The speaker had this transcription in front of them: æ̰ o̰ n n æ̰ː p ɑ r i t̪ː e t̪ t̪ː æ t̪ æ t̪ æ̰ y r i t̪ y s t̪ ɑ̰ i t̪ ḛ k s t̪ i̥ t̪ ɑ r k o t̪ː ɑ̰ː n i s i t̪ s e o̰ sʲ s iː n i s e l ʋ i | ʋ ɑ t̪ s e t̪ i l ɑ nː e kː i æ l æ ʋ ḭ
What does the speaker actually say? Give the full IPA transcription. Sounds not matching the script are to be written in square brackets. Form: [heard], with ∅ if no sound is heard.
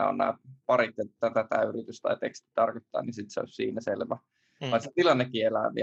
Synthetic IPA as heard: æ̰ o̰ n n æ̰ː p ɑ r i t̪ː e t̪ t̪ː æ t̪ æ t̪ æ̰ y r i t̪ y s t̪ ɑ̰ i t̪ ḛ k s t̪ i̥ t̪ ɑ r k o t̪ː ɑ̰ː n i s i t̪ s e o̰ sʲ s iː n [æ] s e l ʋ [æ] | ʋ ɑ [∅] s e t̪ i l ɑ nː e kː i [e] l æ ʋ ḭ